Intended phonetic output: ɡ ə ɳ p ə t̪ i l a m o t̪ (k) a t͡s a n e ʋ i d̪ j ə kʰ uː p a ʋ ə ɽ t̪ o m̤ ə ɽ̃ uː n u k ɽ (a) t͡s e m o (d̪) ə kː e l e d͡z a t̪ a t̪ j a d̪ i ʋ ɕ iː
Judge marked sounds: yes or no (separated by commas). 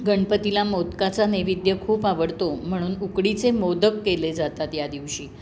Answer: yes, no, yes